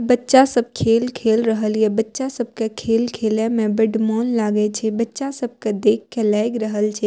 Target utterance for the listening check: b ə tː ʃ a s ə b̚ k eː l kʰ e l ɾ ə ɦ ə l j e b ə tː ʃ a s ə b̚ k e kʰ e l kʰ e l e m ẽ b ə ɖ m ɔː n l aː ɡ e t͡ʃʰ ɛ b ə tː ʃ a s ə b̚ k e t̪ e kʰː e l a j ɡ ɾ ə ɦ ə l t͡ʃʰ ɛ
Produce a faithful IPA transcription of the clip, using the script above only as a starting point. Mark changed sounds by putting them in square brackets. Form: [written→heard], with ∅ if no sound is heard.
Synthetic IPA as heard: b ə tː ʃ a s ə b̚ [k→kʰ] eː l kʰ e l ɾ ə ɦ ə l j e b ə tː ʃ a s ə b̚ k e kʰ e l kʰ e l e m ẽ b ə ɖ m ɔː n l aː ɡ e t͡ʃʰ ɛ b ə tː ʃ a s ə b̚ k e [t̪→d̪] e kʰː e l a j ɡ ɾ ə ɦ ə l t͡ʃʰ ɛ